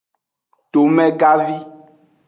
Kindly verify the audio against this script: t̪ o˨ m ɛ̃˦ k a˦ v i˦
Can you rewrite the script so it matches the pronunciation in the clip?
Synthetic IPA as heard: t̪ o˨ m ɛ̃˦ ɡ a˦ v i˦